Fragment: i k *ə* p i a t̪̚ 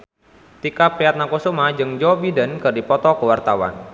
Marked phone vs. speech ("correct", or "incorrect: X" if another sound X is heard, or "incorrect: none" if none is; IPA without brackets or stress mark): incorrect: a